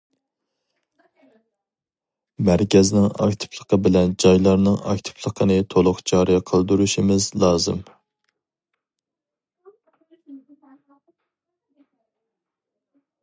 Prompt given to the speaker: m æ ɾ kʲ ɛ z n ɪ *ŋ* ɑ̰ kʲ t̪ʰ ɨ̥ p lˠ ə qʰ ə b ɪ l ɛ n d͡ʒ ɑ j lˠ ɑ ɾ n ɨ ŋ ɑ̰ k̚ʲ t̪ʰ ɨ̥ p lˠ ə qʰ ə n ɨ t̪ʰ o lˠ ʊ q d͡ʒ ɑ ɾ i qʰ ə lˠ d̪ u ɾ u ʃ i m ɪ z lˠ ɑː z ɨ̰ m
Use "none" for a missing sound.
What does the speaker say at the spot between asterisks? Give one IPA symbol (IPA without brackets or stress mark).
ŋ